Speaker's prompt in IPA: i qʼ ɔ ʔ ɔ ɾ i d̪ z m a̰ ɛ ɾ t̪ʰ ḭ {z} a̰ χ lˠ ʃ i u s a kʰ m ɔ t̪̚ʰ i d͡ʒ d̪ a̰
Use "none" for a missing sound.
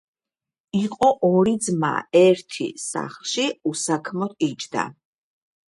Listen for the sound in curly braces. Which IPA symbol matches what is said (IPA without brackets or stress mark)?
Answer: s